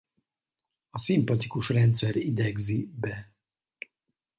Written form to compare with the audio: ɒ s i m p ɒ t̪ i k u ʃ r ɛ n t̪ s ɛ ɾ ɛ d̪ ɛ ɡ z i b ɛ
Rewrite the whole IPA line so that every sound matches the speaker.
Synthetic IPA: ɒ s i m p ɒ t̪ i k u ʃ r ɛ n t̪ s ɛ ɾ i d̪ ɛ ɡ z i b ɛ